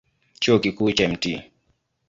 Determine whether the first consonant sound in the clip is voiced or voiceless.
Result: voiceless